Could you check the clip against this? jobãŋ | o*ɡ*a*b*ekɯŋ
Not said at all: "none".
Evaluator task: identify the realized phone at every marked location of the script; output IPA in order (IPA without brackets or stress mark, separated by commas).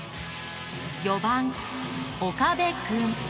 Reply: k, b